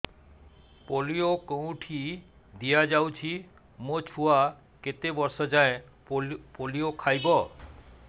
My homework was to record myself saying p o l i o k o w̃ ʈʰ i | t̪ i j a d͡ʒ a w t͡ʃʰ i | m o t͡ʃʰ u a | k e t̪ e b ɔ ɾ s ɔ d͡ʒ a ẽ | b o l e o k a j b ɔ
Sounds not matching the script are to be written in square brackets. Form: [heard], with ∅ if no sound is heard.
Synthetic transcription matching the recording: p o l i o k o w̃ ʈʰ i | [d̪] i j a d͡ʒ a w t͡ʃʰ i | m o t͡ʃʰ u a | k e t̪ e b ɔ ɾ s ɔ d͡ʒ a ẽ | [p] o l [i] o [kʰ] a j b ɔ